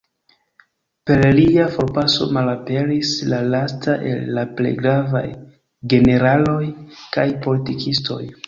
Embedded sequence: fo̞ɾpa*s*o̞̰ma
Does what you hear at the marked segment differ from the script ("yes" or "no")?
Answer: no